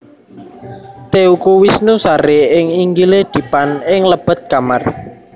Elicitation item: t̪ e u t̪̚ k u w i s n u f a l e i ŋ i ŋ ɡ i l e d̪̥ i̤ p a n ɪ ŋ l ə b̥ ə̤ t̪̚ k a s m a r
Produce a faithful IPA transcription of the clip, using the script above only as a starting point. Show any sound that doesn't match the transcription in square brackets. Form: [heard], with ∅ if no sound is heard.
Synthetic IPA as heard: t̪ e u [∅] k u w i s n u [s] a [ɾ] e [ɪ] ŋ i ŋ ɡ i l e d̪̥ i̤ p a n ɪ ŋ l ə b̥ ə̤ t̪̚ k a [∅] m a r